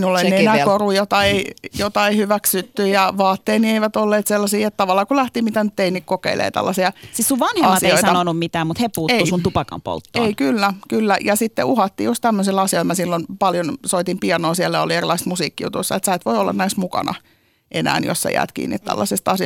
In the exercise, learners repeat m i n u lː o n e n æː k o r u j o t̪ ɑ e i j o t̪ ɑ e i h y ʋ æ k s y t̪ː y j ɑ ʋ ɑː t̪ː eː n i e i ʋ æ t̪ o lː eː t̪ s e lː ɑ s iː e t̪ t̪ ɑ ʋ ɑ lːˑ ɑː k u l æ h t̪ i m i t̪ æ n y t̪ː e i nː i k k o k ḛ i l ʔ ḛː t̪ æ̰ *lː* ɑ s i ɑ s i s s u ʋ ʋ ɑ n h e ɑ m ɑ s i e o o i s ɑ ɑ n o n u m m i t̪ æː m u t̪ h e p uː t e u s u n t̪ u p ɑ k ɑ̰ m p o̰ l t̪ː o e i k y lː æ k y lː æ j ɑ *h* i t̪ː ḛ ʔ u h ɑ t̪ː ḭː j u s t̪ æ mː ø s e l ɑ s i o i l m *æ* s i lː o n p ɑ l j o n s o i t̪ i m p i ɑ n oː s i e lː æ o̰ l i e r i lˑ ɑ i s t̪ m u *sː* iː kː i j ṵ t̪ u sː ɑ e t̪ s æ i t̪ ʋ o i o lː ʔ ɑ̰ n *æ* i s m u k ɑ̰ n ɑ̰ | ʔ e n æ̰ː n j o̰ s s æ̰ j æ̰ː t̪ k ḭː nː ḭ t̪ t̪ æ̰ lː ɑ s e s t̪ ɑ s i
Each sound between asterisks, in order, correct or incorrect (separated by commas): correct, incorrect, correct, incorrect, correct